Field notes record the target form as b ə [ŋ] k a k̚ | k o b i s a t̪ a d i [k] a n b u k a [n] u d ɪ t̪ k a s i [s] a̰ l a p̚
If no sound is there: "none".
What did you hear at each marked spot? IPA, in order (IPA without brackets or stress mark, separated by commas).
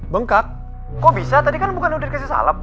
ŋ, k, n, s